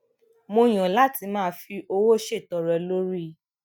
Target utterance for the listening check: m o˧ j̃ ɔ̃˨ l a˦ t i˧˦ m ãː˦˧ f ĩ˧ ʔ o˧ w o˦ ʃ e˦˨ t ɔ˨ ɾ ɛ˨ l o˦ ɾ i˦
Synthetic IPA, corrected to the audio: m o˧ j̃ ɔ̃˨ l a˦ t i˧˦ m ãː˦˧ f i˧ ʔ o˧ w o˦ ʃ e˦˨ t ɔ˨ ɾ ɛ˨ l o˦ ɾ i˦